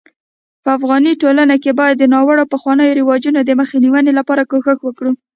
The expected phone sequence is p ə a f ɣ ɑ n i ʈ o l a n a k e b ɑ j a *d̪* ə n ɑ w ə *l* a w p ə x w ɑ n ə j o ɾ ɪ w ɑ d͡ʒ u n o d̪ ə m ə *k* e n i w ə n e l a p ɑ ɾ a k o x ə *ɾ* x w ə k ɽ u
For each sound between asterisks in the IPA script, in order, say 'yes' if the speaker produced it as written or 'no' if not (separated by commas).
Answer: no, no, no, no